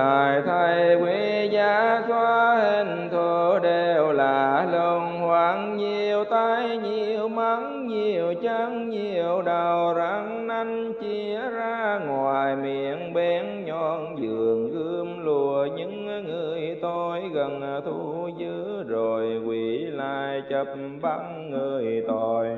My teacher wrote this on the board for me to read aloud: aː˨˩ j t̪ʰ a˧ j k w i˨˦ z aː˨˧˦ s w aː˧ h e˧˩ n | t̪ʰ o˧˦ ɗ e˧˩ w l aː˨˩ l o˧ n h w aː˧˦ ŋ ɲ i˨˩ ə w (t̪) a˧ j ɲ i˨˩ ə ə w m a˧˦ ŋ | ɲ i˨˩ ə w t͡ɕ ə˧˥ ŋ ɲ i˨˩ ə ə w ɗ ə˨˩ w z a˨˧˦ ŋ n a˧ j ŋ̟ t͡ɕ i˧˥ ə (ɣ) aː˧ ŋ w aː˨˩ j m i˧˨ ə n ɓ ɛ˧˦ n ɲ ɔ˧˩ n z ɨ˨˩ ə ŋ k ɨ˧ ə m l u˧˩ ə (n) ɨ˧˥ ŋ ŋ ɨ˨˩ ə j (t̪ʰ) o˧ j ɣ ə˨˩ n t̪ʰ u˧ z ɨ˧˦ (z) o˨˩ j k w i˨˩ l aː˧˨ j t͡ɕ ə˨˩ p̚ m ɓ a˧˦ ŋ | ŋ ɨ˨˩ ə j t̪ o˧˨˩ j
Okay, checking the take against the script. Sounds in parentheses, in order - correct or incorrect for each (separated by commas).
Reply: correct, incorrect, incorrect, incorrect, correct